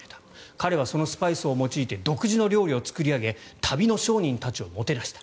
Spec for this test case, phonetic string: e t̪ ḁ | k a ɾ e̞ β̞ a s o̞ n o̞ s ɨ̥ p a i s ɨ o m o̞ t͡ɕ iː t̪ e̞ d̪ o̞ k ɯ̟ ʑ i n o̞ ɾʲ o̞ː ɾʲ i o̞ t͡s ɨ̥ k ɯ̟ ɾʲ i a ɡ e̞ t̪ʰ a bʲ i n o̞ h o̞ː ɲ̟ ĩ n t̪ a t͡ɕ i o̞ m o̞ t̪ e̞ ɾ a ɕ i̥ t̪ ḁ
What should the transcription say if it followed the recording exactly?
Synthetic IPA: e t̪ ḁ | k a ɾ e̞ β̞ a s o̞ n o̞ s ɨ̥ p a i s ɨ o m o̞ t͡ɕ iː t̪ e̞ d̪ o̞ k ɯ̟ ʑ i n o̞ ɾʲ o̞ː ɾʲ i o̞ t͡s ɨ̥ k ɯ̟ ɾʲ i a ɡ e̞ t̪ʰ a bʲ i n o̞ ɕ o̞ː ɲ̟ ĩ n t̪ a t͡ɕ i o̞ m o̞ t̪ e̞ ɾ a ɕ i̥ t̪ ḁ